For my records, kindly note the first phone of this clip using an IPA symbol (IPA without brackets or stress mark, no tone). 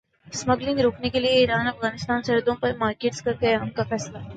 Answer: s